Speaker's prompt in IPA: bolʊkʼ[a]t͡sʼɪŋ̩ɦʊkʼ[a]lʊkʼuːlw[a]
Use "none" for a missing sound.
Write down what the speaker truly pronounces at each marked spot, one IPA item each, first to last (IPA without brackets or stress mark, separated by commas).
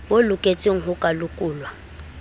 e, a, a